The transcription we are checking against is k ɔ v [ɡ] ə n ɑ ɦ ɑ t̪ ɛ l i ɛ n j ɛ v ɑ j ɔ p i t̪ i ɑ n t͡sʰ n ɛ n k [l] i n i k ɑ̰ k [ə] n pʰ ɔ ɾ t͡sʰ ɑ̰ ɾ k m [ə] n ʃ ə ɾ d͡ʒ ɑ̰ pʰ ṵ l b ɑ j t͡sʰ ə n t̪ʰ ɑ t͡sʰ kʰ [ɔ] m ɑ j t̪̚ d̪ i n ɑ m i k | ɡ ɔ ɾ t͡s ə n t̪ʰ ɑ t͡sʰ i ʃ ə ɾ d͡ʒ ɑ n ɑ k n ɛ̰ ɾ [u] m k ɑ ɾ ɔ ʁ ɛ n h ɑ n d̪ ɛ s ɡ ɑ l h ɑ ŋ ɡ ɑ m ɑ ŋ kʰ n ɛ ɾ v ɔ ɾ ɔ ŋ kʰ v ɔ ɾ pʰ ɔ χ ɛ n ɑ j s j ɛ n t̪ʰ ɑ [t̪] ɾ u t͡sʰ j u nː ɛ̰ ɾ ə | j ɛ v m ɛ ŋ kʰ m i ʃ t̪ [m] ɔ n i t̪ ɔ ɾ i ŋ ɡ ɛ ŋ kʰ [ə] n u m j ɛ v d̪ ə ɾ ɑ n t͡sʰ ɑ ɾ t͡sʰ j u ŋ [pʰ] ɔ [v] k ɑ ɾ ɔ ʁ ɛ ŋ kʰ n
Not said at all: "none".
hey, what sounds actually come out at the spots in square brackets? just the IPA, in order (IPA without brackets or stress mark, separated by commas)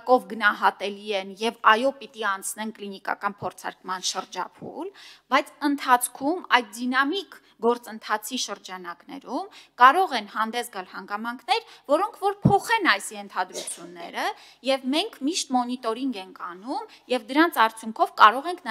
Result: ɡ, l, ɑ, ɑ, u, u, d̪, m, ɑ, kʰ, v